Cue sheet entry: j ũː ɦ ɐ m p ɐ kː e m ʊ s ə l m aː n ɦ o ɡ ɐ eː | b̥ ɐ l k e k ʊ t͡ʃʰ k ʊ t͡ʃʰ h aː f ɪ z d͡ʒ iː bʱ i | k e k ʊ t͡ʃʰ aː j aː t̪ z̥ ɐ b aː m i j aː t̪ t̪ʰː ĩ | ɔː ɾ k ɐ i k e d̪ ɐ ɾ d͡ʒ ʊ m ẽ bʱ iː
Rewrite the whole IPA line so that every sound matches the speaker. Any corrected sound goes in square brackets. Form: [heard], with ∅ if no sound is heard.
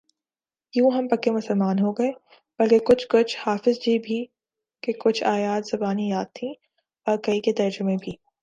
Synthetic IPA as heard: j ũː ɦ ɐ m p ɐ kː e m ʊ s ə l m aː n ɦ o ɡ ɐ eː | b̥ ɐ l k e k ʊ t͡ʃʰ k ʊ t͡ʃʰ h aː f ɪ z d͡ʒ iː bʱ i | k e k ʊ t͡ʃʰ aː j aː t̪ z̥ ɐ b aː [n] i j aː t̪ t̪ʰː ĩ | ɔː ɾ k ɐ i k e [t̪] ɐ ɾ d͡ʒ ʊ m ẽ bʱ iː